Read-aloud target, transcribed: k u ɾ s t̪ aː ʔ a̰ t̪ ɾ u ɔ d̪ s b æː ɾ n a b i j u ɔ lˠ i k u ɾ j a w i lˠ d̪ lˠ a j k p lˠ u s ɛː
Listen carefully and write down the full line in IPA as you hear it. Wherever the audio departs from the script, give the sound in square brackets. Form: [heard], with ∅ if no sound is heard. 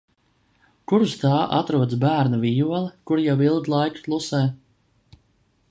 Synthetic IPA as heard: k u ɾ s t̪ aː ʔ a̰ t̪ ɾ u ɔ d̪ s b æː ɾ n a [v] i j u ɔ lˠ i k u ɾ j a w i lˠ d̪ lˠ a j k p lˠ u s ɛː